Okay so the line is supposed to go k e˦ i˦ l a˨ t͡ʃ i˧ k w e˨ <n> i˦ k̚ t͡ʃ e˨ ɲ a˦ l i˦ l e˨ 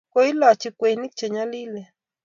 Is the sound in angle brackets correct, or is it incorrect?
correct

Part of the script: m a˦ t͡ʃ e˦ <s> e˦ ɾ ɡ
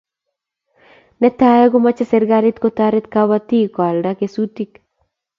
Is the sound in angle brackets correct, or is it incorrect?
correct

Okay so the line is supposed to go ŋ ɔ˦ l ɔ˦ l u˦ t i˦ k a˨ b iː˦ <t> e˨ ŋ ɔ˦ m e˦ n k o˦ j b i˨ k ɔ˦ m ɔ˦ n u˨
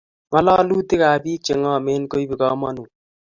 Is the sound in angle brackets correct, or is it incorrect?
incorrect: t͡ʃ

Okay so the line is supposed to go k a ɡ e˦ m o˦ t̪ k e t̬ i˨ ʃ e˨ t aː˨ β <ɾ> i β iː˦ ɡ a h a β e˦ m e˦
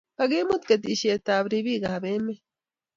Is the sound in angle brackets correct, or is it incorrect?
correct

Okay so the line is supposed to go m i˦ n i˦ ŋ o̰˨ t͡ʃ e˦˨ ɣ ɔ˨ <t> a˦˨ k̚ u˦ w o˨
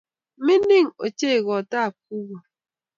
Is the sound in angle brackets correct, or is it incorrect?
correct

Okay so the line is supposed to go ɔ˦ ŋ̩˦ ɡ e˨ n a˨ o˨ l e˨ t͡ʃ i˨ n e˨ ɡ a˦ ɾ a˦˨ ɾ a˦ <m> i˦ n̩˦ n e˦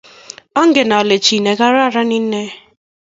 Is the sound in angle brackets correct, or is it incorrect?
incorrect: n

